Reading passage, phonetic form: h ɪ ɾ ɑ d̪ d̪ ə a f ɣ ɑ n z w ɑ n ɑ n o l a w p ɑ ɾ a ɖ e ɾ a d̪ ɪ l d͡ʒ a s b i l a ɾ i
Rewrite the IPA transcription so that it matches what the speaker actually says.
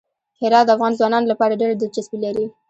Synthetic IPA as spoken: h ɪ ɾ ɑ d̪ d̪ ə a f ɣ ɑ n z w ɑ n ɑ n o l a p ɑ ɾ a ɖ e ɾ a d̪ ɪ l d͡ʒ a s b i l a ɾ i

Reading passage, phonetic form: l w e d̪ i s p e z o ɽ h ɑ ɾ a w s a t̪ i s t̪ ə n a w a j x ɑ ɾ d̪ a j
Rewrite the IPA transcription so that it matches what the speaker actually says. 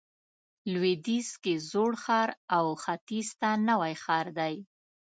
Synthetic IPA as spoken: l w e d̪ i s k e z o ɽ x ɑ ɾ a w x a t̪ i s t̪ a n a w a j x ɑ ɾ d̪ a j

